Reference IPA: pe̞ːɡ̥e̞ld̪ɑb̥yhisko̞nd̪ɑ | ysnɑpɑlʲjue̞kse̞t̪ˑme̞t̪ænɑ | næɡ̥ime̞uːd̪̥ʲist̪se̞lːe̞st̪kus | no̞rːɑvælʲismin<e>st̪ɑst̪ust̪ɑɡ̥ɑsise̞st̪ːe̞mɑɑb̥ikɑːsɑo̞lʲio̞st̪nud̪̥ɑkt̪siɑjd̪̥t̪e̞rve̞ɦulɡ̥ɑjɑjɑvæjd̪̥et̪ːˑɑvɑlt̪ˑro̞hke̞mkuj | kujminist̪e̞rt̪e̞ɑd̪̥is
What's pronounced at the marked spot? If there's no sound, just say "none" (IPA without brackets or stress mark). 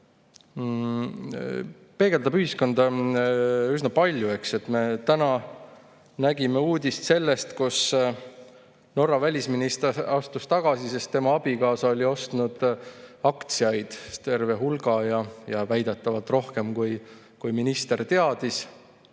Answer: i